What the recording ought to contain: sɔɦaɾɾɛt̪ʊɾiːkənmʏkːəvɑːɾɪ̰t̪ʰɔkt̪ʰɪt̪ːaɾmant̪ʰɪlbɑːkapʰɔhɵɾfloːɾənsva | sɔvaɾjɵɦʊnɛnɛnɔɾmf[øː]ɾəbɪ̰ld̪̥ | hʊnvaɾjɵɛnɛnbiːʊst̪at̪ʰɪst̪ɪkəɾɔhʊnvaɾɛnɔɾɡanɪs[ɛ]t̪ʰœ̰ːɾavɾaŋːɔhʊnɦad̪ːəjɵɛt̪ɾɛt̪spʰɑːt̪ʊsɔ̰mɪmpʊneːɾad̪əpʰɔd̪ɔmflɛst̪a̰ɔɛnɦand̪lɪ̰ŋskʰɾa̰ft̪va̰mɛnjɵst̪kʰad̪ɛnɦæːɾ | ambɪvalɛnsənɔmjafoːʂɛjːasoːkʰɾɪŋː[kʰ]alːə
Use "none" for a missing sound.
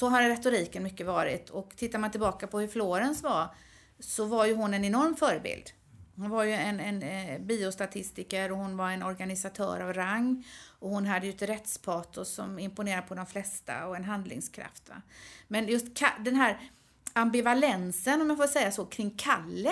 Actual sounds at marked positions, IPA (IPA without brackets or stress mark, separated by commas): œː, a, kʰ